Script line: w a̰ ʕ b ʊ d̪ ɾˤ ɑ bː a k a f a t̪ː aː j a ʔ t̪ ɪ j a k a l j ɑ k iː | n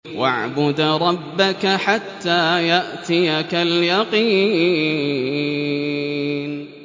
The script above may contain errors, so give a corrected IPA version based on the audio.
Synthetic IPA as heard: w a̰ ʕ b ʊ d̪ ɾˤ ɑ bː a k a ħ a t̪ː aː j a ʔ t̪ ɪ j a k a l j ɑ q iː | n